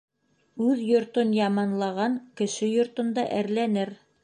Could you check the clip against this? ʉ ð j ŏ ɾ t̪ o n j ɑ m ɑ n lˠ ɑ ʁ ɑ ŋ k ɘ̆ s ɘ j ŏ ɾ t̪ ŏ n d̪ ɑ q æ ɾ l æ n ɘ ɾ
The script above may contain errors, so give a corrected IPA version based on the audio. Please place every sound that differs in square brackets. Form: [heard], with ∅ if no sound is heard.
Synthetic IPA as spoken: ʉ ð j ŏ ɾ t̪ o n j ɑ m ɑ n lˠ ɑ ʁ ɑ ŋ k ɘ̆ [ʃ] ɘ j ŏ ɾ t̪ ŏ n d̪ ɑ [ʔ] æ ɾ l æ n ɘ ɾ